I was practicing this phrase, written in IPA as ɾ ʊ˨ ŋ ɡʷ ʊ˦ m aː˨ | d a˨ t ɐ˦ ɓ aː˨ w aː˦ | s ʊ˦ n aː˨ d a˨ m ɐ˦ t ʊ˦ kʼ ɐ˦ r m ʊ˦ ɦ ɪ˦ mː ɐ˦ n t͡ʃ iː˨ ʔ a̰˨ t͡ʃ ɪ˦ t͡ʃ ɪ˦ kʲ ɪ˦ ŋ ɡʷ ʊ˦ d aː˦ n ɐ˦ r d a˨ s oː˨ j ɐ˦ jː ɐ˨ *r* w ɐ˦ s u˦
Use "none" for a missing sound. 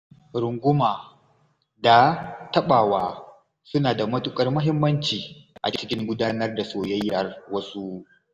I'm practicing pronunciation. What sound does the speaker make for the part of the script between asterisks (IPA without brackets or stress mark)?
r